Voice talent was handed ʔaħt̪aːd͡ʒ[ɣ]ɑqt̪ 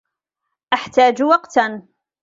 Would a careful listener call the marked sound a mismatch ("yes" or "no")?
yes